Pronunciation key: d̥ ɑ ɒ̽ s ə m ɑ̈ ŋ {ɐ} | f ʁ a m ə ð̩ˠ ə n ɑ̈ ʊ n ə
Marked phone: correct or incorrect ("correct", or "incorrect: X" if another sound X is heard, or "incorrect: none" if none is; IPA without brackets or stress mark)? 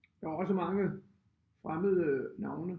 incorrect: ə